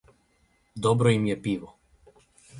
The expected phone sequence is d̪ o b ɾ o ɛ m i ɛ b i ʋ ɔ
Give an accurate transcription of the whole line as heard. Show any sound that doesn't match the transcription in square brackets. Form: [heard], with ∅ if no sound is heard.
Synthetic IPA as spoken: d̪ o b ɾ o [i] m [j] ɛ [p] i ʋ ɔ